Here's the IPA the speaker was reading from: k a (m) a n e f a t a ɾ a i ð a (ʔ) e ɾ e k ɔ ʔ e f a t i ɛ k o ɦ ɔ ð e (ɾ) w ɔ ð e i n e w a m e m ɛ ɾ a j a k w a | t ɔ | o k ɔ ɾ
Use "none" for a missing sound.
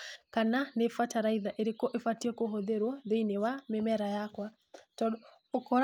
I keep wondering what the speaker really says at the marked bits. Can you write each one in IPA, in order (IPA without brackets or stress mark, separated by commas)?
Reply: n, ʔ, ɾ